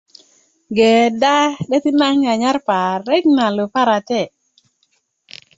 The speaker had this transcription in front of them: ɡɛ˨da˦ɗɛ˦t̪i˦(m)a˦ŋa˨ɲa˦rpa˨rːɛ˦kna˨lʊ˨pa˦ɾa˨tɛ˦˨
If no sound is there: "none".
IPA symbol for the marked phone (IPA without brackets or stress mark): n